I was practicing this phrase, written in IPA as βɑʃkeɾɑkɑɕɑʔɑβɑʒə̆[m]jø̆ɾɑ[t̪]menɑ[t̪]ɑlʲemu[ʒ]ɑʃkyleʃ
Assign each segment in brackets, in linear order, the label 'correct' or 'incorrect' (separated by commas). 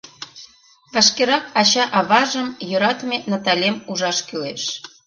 correct, correct, correct, correct